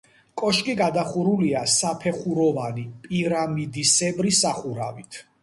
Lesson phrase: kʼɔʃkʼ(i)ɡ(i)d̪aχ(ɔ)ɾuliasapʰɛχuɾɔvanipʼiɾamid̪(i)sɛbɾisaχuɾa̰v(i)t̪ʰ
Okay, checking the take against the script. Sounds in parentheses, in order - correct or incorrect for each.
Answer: correct, incorrect, incorrect, correct, correct

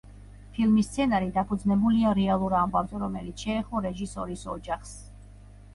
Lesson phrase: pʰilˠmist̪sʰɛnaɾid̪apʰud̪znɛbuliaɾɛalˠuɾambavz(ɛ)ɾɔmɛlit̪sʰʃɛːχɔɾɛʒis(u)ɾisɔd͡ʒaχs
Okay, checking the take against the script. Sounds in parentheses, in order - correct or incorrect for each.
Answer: correct, incorrect

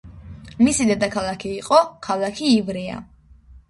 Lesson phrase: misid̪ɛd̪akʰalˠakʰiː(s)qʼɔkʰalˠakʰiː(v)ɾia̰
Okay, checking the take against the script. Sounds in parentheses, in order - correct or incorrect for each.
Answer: incorrect, correct

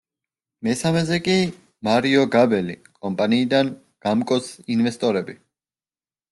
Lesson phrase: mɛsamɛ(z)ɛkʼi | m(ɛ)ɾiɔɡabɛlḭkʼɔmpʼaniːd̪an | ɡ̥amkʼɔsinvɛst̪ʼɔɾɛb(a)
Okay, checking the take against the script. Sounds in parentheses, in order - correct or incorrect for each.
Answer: correct, incorrect, incorrect

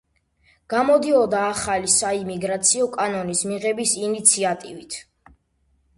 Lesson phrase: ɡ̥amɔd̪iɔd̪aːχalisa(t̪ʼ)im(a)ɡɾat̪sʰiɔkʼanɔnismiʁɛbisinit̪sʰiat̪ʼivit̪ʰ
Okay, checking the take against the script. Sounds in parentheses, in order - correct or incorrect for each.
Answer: incorrect, incorrect

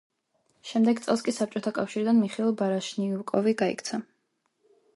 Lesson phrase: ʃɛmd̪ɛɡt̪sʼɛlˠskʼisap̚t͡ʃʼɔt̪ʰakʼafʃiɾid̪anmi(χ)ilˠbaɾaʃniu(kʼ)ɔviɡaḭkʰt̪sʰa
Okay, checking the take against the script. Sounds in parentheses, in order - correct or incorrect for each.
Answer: correct, correct

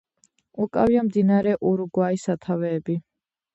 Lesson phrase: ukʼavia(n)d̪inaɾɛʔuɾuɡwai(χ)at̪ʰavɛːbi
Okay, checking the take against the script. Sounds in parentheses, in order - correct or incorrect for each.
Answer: incorrect, incorrect

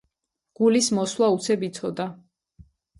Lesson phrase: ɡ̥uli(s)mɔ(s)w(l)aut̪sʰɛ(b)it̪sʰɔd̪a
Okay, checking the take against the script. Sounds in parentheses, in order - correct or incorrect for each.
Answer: correct, correct, correct, correct

